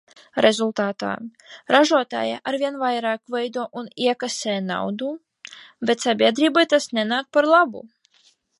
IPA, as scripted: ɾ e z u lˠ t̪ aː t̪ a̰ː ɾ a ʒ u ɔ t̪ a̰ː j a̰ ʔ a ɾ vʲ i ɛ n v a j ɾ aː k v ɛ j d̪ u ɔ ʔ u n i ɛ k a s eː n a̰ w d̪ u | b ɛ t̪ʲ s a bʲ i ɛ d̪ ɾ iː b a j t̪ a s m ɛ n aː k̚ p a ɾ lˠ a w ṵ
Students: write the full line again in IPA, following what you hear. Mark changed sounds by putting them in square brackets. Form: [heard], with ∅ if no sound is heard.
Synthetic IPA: ɾ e z u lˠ t̪ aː t̪ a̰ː ɾ a ʒ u ɔ t̪ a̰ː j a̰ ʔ a ɾ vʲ i ɛ n v a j ɾ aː k v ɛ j d̪ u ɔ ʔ u n i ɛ k a s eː n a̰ w d̪ u | b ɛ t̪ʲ s a bʲ i ɛ d̪ ɾ iː b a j t̪ a s [n] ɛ n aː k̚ p a ɾ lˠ a [b] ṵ

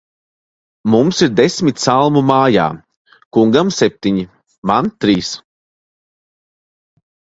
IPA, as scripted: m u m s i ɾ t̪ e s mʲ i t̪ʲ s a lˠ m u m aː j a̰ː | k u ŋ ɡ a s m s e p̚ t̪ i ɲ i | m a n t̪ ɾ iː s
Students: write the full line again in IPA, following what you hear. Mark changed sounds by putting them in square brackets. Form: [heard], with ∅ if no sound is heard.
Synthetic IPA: m u m s i ɾ [d̪] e s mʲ i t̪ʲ s a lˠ m u m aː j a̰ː | k u ŋ ɡ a [∅] m s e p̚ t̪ i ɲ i | m a n t̪ ɾ iː s

